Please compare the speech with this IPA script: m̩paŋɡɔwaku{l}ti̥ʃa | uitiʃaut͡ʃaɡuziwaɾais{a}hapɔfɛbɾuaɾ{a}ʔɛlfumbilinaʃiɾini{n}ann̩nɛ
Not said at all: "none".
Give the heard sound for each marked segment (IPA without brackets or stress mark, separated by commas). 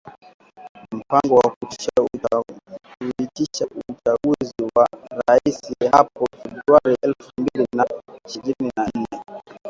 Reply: none, i, i, n